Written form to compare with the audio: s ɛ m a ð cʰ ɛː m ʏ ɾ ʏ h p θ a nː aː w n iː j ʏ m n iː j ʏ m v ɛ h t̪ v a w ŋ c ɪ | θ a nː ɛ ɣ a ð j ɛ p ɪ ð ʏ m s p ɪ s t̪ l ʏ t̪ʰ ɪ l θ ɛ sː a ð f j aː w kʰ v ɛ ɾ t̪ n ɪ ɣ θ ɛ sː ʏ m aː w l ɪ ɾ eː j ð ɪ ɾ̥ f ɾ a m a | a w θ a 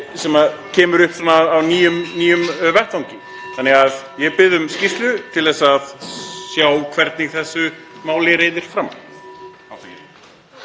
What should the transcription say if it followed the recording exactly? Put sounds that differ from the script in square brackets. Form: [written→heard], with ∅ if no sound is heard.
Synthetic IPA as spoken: s ɛ m a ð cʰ ɛː m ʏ ɾ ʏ h p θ a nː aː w n iː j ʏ m n iː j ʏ m v ɛ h t̪ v a w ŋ c ɪ | θ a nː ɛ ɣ a ð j ɛ p ɪ ð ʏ m s [p→c] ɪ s t̪ l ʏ t̪ʰ ɪ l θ ɛ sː a ð [f→s] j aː w kʰ v ɛ ɾ t̪ n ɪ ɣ θ ɛ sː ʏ m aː w l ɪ ɾ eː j ð ɪ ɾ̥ f ɾ a m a | a w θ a